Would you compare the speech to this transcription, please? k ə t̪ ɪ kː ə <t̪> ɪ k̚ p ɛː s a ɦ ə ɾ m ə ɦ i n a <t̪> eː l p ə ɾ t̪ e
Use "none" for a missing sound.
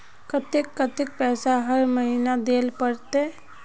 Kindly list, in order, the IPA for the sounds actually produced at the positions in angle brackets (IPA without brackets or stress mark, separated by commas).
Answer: t̪, d̪